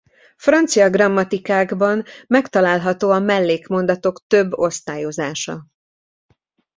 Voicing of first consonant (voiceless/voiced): voiceless